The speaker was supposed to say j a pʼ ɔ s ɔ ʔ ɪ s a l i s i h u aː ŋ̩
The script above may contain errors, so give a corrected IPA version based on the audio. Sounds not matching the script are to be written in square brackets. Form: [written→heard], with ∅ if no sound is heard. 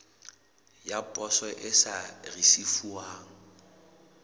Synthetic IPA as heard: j a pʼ ɔ s ɔ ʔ ɪ s a [l→r] i s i [h→f] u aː ŋ̩